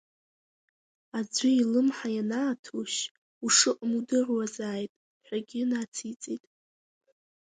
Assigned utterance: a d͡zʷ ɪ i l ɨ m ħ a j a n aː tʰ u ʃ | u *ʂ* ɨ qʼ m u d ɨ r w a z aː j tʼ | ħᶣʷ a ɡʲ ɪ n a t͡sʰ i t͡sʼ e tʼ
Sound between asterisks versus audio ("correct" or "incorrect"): correct